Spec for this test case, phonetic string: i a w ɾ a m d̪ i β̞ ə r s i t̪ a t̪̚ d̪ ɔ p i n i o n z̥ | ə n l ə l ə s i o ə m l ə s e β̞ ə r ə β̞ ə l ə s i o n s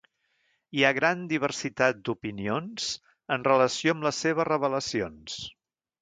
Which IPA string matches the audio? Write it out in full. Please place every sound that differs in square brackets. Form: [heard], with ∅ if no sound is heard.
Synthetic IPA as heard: i a [ɣ] ɾ a [n] d̪ i β̞ ə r s i t̪ a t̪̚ d̪ [u] p i n i o n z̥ | ə n [r] ə l ə s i o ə m l ə s e β̞ ə r ə β̞ ə l ə s i o n s